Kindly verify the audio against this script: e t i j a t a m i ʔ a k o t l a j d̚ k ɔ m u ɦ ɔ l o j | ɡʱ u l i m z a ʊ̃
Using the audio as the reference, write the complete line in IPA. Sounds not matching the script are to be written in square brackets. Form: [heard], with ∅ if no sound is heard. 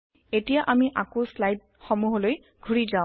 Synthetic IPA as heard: e t i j a [ʔ] a m i ʔ a k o [s] l a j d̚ [x] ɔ m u ɦ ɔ l o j | ɡʱ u [ɹ] i [∅] z a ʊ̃